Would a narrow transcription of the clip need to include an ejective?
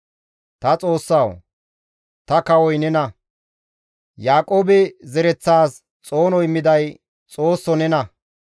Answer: yes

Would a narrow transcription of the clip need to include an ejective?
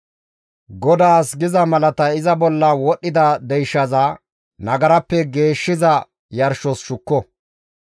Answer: no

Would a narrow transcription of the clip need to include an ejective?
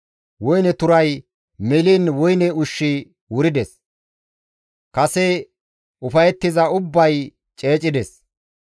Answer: yes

